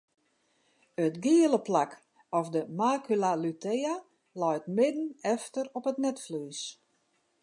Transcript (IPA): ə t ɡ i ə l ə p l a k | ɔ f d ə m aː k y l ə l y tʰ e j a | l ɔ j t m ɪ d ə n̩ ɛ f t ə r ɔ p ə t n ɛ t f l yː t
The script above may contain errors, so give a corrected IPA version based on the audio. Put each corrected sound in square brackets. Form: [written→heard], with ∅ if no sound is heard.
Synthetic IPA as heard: ə t ɡ i ə l ə p l a k | ɔ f d ə m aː k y l [ə→a] l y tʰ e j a | l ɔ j t m ɪ d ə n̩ ɛ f t ə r ɔ p ə t n ɛ t f l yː [t→s]